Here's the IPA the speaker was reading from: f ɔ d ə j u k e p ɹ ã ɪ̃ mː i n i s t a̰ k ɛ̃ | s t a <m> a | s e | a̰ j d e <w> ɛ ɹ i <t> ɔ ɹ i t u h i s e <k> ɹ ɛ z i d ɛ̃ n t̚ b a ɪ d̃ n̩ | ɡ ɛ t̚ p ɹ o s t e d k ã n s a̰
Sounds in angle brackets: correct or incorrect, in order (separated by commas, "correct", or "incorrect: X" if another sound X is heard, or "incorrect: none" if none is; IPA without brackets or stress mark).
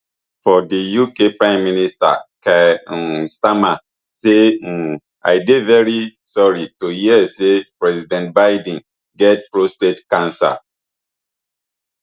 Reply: correct, incorrect: v, incorrect: s, incorrect: p